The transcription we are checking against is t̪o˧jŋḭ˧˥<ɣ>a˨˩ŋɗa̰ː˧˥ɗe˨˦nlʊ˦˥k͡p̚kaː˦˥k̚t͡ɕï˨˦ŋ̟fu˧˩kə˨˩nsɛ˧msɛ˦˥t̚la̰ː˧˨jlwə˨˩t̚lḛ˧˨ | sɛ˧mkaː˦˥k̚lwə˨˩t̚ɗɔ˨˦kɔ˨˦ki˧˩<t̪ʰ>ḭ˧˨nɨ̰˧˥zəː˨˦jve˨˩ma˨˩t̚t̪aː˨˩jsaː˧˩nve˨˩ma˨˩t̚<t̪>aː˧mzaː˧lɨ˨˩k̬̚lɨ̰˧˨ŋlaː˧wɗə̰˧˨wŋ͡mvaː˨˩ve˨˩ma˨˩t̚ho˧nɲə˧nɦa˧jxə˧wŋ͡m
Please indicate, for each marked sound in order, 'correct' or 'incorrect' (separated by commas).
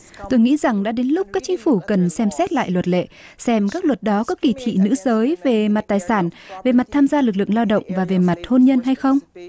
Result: incorrect, correct, incorrect